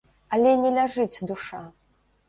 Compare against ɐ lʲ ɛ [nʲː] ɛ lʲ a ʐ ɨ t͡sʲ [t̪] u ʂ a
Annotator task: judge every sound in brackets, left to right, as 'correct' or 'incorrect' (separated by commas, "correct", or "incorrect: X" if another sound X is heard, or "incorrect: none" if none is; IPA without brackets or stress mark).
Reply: incorrect: nʲ, incorrect: d̪